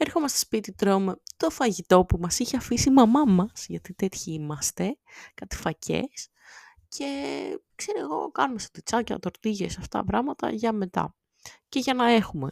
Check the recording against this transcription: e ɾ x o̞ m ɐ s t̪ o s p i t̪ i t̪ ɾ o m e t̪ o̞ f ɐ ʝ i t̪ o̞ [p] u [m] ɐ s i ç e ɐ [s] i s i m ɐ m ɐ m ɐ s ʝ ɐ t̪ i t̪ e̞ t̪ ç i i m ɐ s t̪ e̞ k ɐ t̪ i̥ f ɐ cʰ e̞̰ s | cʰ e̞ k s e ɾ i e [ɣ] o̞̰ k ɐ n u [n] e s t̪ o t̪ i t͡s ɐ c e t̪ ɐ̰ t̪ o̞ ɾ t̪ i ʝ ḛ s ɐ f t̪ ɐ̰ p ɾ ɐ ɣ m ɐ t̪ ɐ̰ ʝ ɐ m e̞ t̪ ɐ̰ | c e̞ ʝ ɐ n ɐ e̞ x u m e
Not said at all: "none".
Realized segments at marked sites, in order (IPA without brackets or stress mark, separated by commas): p, m, f, ɣ, m